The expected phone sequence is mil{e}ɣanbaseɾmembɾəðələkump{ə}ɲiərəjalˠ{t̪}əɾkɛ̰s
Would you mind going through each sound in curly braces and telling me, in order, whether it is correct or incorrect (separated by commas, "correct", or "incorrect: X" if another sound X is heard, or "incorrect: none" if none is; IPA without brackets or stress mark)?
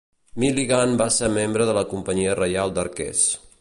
incorrect: i, correct, incorrect: d̪